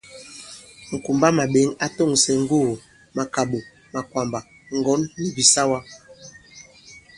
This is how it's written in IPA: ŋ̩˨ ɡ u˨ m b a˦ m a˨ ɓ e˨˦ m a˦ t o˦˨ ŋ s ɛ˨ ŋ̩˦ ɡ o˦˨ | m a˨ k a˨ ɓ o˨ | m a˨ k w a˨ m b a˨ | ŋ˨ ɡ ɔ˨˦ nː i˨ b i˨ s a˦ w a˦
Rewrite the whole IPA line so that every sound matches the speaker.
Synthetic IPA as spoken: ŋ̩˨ k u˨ m b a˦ m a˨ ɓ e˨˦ ŋ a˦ t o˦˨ ŋ s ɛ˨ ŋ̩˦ ɡ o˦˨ | m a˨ k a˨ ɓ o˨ | m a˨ k w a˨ m b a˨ | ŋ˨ ɡ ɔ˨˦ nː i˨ b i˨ s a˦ w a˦